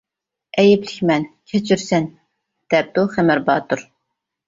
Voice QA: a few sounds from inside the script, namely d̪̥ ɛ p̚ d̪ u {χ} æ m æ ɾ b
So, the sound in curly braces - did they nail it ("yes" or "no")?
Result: yes